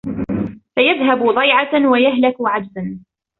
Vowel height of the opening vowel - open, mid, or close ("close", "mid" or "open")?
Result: open